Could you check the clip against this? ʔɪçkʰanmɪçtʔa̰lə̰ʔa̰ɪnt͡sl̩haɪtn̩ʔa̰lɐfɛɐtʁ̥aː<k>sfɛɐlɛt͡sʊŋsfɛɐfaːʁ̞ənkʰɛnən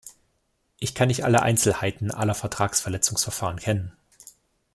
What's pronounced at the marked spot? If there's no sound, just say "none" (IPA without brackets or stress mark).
k